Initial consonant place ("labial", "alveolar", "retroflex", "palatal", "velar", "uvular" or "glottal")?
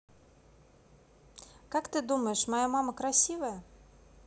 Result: velar